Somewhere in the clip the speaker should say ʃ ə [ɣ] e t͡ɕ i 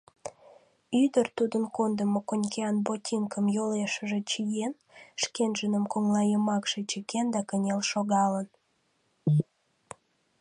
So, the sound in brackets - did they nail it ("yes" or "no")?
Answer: no